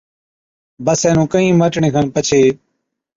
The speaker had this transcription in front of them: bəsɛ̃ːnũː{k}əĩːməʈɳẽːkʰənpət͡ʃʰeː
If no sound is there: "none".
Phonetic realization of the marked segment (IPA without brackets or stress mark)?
k